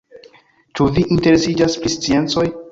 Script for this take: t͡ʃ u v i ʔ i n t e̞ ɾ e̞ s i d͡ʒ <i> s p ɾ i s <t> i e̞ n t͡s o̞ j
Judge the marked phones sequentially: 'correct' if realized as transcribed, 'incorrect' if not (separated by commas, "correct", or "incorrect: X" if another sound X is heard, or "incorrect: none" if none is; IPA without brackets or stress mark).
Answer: incorrect: a, incorrect: t͡s